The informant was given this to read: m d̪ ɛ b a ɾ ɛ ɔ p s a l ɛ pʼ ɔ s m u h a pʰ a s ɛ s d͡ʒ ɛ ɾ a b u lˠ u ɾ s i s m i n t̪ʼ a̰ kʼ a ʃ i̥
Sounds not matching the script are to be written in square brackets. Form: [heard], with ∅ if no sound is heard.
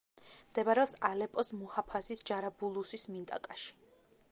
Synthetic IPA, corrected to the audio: m d̪ ɛ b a ɾ ɛ ɔ p s a l ɛ pʼ ɔ s m u h a pʰ a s [i] s d͡ʒ [a] ɾ a b u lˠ u [∅] s i s m i n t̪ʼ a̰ kʼ a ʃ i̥